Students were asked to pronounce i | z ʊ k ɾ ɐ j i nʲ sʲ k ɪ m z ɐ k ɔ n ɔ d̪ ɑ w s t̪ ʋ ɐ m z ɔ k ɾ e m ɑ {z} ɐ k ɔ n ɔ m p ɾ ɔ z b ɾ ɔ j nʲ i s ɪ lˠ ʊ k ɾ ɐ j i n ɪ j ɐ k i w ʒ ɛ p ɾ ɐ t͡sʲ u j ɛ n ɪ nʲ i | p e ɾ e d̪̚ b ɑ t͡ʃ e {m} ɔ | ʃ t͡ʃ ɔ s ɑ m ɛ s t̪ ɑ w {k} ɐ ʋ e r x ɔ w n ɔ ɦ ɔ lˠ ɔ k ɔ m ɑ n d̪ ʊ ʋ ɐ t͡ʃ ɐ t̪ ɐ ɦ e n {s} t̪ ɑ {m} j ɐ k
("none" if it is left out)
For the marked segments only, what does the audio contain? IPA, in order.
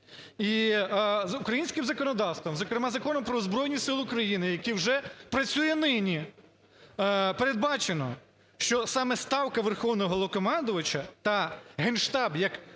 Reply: z, n, k, ʃ, b

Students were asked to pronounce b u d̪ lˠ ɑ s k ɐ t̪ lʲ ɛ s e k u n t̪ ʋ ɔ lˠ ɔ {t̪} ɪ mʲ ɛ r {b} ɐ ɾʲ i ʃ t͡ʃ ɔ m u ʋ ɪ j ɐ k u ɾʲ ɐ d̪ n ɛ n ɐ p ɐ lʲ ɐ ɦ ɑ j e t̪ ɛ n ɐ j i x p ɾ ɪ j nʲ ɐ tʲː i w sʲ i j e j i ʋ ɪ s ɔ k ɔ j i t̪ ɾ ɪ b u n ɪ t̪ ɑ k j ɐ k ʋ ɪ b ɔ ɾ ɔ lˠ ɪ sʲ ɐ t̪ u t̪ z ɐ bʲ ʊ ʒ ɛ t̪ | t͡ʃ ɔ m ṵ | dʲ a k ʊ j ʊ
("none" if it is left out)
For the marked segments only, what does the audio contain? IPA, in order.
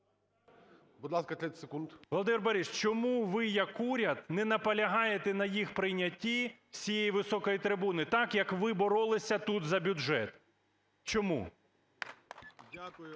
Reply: d̪, b

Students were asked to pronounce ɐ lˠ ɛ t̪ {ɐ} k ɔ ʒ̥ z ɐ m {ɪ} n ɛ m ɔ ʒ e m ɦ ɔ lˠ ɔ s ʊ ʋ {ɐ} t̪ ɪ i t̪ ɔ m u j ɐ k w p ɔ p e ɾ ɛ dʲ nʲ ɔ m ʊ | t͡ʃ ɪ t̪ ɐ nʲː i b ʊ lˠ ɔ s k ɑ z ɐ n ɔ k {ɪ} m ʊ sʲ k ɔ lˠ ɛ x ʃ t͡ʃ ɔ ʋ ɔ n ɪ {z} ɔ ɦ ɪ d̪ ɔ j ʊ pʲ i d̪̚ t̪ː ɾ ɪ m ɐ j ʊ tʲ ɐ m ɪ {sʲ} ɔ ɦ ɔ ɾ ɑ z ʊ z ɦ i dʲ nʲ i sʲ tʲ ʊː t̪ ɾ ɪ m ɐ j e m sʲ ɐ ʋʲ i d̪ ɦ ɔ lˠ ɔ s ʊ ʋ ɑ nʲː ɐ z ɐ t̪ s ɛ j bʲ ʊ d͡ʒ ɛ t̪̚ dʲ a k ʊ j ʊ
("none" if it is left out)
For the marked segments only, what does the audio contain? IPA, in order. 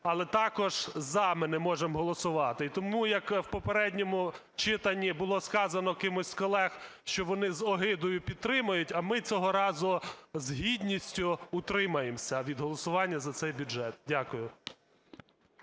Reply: ɑ, ɪ, ɑ, ɪ, z, t͡sʲ

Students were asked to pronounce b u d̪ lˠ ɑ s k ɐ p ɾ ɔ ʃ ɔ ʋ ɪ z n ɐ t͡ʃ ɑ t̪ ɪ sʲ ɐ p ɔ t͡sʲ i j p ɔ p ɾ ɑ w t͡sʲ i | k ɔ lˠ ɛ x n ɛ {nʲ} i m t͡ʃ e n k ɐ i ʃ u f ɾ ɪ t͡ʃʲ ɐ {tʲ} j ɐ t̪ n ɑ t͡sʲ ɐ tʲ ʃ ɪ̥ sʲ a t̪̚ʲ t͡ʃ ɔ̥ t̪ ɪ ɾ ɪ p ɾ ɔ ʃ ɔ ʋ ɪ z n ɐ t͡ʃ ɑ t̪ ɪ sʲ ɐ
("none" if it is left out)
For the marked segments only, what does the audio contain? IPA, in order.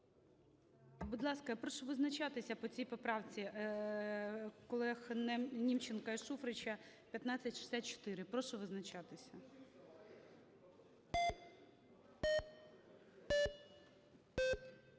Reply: nʲ, pʲ

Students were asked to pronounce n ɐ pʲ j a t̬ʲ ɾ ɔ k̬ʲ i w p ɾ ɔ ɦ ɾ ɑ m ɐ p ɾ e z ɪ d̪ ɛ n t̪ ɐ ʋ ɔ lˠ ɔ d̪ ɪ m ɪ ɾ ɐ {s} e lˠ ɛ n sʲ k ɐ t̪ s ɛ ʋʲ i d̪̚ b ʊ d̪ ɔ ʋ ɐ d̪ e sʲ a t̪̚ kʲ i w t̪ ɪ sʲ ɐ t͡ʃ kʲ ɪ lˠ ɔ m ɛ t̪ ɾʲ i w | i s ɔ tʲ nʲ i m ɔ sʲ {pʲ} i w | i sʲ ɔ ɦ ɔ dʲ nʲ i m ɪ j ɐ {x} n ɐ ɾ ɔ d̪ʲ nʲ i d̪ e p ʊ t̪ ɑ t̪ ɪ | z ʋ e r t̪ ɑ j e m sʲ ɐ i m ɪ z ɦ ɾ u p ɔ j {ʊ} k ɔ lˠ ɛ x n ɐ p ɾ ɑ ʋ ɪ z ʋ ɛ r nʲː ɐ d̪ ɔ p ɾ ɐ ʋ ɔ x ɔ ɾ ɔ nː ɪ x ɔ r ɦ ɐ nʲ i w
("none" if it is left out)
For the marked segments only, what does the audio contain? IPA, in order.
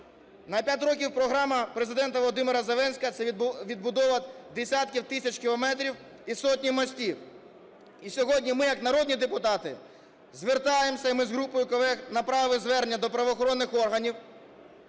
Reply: z, tʲ, k, ʊ

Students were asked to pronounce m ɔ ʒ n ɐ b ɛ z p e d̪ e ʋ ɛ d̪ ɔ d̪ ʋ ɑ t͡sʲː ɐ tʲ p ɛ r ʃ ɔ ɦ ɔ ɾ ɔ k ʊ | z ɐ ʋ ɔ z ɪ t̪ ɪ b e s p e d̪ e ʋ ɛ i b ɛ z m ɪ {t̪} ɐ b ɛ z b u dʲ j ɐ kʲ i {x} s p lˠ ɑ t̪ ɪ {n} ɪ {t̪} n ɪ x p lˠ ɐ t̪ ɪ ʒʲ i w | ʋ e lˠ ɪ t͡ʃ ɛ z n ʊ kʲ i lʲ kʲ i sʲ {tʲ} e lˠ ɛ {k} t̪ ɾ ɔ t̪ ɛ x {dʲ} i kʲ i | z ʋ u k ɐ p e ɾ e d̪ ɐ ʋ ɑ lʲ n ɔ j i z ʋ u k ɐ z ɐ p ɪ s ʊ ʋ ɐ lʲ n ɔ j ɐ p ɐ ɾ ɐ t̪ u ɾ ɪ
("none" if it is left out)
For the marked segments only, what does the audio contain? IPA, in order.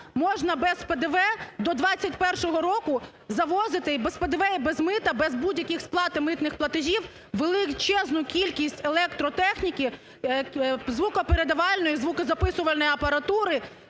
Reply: t̪, x, m, t̪, tʲ, k, nʲ

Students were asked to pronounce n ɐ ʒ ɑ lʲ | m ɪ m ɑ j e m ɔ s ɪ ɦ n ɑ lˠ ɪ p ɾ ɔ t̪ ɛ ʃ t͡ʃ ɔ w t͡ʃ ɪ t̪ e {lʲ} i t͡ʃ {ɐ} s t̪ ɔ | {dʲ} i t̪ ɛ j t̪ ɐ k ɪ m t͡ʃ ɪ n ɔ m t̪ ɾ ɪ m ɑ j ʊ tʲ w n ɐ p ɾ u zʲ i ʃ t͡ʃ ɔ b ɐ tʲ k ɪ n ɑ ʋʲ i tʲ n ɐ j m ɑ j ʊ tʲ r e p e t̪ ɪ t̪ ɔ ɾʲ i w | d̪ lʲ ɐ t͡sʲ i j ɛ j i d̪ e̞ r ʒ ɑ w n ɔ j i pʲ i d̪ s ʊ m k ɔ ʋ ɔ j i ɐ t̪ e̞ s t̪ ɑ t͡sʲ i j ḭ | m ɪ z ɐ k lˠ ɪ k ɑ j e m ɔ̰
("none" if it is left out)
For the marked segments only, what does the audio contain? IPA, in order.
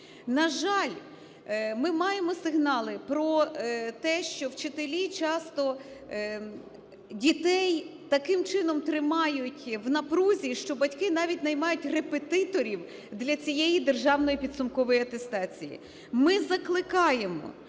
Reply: lʲ, ɑ, dʲ

